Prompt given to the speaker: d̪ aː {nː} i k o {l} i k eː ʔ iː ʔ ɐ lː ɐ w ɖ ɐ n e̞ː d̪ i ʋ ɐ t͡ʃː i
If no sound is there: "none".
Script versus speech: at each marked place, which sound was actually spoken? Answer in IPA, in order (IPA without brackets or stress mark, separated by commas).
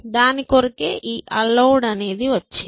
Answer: n, ɾ